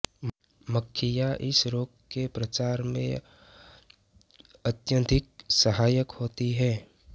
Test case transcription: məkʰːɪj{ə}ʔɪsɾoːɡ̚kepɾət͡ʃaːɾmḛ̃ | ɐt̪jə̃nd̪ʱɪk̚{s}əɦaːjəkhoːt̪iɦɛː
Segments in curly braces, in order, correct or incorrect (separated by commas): incorrect, correct